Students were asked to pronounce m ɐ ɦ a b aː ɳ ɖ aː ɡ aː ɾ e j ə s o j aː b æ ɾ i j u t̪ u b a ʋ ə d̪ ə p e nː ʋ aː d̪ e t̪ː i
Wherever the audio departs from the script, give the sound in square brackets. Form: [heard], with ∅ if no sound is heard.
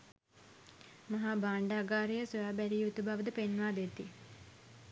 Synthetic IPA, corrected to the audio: m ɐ ɦ a b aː ɳ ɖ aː ɡ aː ɾ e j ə s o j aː b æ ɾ i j u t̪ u b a ʋ ə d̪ ə p e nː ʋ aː d̪ e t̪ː i